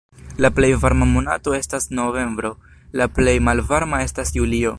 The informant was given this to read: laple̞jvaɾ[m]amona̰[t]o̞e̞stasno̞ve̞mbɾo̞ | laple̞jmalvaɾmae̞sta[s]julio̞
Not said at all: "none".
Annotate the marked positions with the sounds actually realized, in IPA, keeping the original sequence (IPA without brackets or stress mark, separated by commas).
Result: m, t, s